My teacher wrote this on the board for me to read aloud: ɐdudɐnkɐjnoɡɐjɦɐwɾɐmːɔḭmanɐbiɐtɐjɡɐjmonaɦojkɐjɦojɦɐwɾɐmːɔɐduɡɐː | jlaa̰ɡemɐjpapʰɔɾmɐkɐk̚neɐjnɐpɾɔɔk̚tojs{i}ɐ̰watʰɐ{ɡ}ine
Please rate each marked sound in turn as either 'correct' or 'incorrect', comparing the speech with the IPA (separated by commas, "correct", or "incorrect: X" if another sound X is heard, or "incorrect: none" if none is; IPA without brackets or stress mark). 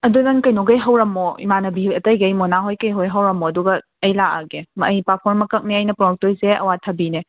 incorrect: e, incorrect: b